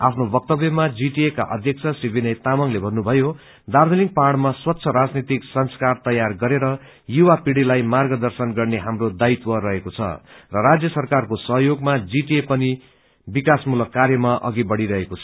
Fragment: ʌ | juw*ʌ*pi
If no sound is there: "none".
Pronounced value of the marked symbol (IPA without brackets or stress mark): a